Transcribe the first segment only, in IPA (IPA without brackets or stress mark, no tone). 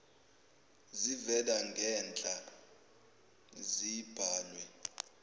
z